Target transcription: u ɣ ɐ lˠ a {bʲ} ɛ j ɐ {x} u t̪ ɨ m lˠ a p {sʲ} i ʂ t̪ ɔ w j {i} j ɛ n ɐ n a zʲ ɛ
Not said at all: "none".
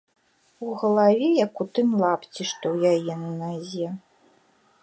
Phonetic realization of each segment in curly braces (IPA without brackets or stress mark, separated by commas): vʲ, k, t͡sʲ, a